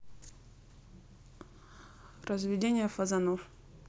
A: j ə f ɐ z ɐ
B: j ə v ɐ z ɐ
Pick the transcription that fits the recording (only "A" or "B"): A